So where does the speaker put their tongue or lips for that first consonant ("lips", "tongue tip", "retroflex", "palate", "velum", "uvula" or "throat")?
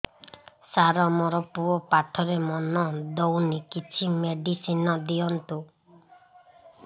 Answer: tongue tip